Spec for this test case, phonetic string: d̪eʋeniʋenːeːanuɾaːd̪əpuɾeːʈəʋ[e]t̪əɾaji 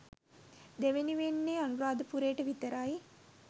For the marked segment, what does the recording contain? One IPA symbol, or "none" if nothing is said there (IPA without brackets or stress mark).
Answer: i